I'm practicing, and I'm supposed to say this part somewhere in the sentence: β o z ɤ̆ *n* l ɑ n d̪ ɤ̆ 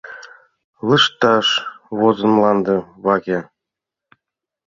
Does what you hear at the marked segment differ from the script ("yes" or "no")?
no